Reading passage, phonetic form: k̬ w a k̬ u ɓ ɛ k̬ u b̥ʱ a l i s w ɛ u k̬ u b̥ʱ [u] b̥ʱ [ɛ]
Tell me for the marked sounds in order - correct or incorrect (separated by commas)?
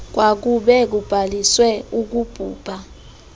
incorrect, incorrect